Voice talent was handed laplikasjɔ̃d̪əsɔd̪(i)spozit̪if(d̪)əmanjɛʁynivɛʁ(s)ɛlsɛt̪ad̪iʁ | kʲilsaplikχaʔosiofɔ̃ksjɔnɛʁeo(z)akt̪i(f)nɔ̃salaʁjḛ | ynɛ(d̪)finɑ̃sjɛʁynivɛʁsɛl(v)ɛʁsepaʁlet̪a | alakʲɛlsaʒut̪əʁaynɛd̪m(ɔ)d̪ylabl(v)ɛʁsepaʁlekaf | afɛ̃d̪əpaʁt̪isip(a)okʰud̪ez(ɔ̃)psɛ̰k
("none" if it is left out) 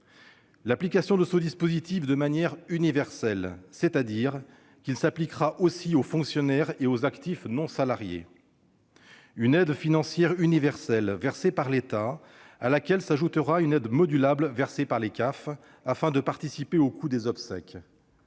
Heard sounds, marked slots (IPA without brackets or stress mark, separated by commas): i, d̪, s, z, f, d̪, v, ɔ, v, e, ɔ